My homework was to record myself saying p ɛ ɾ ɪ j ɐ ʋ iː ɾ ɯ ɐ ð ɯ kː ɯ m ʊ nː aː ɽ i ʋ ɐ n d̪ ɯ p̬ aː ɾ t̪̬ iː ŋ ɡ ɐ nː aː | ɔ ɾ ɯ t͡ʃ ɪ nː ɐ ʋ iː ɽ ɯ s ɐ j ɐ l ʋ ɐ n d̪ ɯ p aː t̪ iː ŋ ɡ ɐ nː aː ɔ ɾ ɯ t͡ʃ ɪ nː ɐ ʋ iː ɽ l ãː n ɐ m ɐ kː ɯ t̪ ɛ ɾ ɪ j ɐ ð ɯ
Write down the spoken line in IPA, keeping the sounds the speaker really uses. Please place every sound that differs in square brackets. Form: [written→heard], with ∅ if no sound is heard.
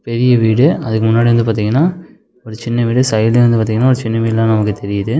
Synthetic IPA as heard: p ɛ ɾ ɪ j ɐ ʋ iː [ɾ→ɽ] ɯ ɐ ð ɯ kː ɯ m ʊ nː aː ɽ i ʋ ɐ n d̪ ɯ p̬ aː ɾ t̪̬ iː ŋ ɡ ɐ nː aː | ɔ ɾ ɯ t͡ʃ ɪ nː ɐ ʋ iː ɽ ɯ s ɐ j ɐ l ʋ ɐ n d̪ ɯ p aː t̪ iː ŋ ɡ ɐ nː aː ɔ ɾ ɯ t͡ʃ ɪ nː ɐ ʋ iː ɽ l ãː n ɐ m ɐ kː ɯ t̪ ɛ ɾ ɪ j ɐ ð ɯ